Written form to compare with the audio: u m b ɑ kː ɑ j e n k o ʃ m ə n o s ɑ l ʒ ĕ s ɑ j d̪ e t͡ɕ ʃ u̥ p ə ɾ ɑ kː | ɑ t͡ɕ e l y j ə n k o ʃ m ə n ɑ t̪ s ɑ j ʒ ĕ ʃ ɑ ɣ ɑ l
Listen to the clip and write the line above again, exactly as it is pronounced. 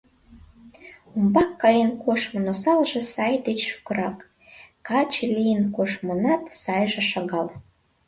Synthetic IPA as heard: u m b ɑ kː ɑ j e n k o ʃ m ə n o s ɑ l ʒ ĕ s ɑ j d̪ e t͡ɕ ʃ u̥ k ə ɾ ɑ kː | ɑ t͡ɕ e l i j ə n k o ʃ m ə n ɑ t̪ s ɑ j ʒ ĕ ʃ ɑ ɣ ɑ l